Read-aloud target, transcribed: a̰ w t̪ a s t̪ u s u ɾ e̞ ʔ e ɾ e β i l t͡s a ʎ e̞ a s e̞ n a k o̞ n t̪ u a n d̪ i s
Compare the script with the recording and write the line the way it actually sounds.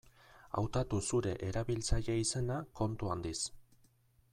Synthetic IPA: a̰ w t̪ a t̪ u s u ɾ e̞ ʔ e ɾ a β i l t͡s a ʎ e̞ i s e̞ n a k o̞ n t̪ u a n d̪ i s